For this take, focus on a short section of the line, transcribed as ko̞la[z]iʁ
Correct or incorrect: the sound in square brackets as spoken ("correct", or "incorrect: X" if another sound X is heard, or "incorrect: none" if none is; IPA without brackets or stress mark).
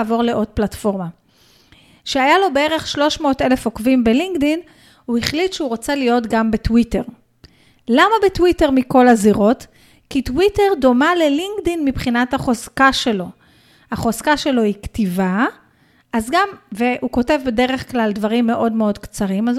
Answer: correct